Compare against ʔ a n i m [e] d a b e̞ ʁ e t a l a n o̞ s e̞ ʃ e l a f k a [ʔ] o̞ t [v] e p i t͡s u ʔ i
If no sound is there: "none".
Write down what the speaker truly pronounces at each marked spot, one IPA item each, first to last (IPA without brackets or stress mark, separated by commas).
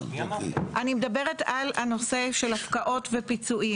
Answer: e, ʔ, v